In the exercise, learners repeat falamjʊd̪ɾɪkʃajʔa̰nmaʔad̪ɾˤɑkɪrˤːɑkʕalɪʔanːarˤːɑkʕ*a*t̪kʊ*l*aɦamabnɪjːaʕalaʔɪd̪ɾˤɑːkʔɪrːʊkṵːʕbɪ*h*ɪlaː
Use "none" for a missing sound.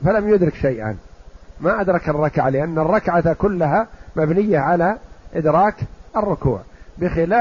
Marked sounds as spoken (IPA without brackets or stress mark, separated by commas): a, lː, x